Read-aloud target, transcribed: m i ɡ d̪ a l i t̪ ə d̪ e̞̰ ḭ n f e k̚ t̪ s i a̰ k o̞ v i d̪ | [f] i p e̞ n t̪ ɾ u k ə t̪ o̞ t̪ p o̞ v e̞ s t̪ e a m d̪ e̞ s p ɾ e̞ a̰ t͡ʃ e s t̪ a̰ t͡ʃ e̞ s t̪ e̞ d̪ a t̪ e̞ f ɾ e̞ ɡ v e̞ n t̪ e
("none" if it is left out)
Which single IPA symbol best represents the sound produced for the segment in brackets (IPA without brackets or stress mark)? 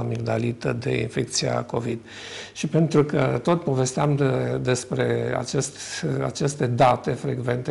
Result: ʃ